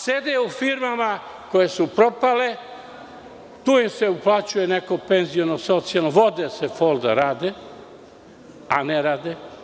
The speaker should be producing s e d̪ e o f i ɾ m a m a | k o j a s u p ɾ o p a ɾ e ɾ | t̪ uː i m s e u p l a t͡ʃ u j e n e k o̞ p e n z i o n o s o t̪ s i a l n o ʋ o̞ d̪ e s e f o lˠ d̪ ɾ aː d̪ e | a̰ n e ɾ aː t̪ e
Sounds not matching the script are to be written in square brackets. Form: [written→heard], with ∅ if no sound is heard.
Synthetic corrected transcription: s e d̪ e [o→u] f i ɾ m a m a | k o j [a→e] s u p ɾ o p a [ɾ→l] e [ɾ→∅] | t̪ uː i m s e u p l a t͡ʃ u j e n e k o̞ p e n z i o n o s o t̪ s i a l n o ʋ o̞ d̪ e s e f o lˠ d̪ ɾ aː d̪ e | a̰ n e ɾ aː [t̪→d̪] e